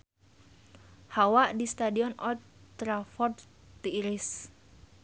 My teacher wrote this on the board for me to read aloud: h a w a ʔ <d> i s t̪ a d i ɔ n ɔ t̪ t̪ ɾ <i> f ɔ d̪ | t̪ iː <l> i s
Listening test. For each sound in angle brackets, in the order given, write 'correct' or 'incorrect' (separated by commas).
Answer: correct, incorrect, incorrect